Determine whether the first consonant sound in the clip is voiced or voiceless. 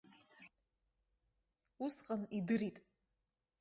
voiceless